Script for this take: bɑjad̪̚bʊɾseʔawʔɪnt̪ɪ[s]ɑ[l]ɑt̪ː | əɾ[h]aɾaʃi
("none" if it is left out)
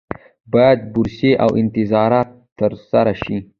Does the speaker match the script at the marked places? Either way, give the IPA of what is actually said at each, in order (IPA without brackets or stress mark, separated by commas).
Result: z, ɾ, s